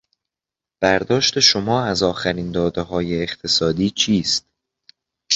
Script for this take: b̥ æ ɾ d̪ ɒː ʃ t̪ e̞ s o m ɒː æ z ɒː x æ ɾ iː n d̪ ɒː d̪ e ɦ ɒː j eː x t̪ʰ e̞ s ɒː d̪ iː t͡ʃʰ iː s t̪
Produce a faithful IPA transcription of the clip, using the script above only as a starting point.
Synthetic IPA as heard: b̥ æ ɾ d̪ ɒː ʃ t̪ e̞ ʃ o m ɒː æ z ɒː x æ ɾ iː n d̪ ɒː d̪ e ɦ ɒː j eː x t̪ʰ e̞ s ɒː d̪ iː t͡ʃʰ iː s t̪